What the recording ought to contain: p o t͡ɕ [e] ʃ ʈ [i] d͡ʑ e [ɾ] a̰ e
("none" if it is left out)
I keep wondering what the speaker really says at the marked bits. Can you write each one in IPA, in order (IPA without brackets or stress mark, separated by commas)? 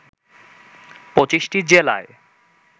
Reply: i, i, l